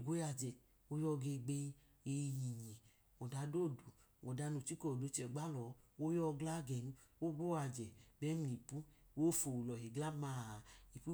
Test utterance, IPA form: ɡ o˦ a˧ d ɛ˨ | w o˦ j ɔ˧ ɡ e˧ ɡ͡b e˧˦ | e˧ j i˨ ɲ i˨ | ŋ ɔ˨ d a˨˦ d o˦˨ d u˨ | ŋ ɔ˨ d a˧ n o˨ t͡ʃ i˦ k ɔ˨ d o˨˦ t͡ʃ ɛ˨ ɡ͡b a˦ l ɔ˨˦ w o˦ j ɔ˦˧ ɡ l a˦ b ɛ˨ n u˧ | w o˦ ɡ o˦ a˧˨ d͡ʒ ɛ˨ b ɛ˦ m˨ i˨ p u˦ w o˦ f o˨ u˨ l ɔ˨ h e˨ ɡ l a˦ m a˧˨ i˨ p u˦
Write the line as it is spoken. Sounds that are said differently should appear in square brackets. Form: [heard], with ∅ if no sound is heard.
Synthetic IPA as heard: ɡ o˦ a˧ [d͡ʒ] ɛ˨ | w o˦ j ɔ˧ ɡ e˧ ɡ͡b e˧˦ | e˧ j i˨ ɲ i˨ | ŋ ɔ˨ d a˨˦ d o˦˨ d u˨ | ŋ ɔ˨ d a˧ n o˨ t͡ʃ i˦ k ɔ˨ d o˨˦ t͡ʃ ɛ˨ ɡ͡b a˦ l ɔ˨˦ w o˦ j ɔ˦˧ ɡ l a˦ [ɡ] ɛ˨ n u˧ | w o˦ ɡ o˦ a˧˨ d͡ʒ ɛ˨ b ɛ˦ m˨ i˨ p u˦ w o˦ f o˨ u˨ l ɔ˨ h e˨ ɡ l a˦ m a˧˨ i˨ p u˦

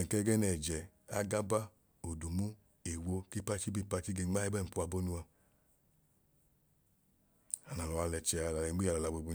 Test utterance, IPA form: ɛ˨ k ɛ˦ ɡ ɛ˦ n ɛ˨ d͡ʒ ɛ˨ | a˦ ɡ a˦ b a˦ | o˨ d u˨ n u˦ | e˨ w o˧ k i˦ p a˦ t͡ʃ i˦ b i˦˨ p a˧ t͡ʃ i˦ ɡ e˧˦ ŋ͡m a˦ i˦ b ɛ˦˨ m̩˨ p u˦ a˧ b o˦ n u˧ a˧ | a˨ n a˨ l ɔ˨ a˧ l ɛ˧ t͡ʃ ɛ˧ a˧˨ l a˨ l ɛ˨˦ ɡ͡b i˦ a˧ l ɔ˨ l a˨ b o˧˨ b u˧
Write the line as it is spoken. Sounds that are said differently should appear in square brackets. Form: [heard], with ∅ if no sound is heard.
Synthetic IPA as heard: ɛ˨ k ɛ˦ ɡ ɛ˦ n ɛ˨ d͡ʒ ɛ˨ | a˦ ɡ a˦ b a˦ | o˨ d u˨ [m] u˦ | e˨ w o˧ k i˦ p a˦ t͡ʃ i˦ b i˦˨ p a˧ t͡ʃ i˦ ɡ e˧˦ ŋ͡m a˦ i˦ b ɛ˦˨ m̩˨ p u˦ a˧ b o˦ n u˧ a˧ | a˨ n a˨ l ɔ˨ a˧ l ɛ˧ t͡ʃ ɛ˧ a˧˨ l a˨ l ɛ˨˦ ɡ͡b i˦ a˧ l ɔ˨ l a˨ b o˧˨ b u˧

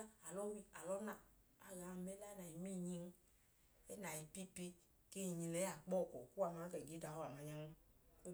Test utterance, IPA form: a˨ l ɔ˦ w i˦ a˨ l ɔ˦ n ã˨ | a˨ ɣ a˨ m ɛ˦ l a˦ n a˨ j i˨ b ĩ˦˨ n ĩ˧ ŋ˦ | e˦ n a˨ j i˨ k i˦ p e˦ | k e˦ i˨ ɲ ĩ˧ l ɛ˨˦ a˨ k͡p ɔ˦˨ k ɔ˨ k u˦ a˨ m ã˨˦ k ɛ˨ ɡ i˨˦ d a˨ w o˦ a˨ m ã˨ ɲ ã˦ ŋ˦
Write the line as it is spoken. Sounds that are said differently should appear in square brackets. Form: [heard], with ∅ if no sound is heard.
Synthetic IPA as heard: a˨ l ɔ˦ w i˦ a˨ l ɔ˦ n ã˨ | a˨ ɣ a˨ m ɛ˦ l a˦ n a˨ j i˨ [m] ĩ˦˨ [ɲ] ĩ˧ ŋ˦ | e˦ n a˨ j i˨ [p] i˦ p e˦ | k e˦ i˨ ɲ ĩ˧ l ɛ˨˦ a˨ k͡p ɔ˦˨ k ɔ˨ k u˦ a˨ m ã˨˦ k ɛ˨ ɡ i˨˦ d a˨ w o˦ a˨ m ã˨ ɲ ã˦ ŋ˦

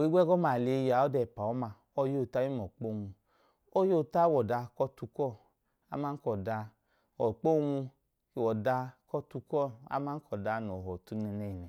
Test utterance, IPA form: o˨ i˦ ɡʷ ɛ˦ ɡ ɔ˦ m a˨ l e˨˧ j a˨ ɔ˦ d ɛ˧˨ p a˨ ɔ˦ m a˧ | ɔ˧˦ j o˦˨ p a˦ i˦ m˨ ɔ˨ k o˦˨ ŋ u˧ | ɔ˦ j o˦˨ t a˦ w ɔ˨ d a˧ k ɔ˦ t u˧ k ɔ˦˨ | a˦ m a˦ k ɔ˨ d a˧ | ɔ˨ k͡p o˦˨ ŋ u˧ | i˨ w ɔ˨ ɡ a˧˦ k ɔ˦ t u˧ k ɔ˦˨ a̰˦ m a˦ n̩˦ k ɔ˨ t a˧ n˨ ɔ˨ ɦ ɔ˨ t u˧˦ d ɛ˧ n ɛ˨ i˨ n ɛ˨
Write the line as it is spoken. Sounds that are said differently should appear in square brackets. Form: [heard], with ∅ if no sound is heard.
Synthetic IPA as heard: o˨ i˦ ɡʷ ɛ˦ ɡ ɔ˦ m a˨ l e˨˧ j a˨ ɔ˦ d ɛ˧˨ p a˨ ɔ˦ m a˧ | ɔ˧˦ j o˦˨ [t] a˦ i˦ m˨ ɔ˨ [k͡p] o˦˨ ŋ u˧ | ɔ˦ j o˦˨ t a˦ w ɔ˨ d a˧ k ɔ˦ t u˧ k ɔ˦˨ | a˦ m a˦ k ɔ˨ d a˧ | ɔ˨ k͡p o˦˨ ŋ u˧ | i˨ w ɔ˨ [d] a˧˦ k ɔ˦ t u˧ k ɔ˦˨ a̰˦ m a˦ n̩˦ k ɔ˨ [d] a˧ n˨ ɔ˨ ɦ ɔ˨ t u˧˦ [n] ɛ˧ n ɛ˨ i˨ n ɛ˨

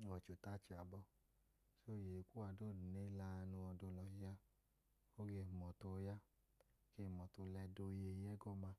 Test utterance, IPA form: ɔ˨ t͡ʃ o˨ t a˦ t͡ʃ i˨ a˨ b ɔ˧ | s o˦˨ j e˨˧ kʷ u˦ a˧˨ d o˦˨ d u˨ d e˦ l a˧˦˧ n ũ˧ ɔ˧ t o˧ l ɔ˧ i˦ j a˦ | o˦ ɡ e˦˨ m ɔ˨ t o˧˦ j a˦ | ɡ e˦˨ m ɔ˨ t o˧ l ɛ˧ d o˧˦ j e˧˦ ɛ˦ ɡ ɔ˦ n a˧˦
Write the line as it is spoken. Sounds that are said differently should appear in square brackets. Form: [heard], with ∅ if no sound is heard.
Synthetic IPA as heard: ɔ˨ t͡ʃ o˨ t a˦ t͡ʃ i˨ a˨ b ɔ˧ | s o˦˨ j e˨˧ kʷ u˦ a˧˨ d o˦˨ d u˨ [n] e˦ l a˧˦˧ n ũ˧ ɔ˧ [d] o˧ l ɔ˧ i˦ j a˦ | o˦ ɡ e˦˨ m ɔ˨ t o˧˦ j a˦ | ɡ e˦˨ m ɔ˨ t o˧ l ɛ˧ d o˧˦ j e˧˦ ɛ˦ ɡ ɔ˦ [m] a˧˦

